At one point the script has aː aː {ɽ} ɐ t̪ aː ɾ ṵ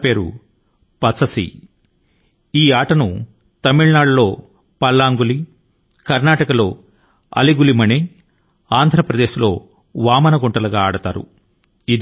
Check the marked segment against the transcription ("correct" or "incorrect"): correct